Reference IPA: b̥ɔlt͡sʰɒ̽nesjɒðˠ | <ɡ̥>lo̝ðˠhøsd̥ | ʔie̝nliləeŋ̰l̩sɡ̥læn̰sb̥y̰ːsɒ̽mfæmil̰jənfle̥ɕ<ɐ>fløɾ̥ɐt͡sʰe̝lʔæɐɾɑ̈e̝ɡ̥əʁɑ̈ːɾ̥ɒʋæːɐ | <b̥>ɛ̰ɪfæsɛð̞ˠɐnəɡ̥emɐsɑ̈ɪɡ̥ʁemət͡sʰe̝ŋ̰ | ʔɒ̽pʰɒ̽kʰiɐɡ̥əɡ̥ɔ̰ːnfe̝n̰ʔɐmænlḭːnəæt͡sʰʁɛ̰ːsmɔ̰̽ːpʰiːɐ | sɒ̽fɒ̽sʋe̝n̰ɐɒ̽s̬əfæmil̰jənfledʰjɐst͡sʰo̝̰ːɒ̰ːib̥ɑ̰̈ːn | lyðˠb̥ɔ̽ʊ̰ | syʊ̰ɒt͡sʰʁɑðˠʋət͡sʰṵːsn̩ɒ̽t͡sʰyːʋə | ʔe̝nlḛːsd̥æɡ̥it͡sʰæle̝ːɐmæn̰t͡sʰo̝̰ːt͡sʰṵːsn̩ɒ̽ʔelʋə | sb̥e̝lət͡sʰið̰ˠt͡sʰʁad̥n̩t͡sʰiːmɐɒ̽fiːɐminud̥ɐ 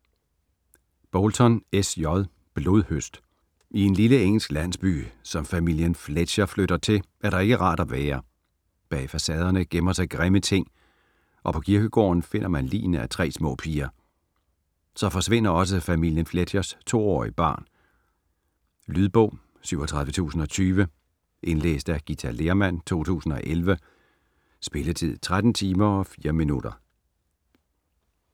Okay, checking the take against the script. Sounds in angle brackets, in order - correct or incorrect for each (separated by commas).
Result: incorrect, correct, correct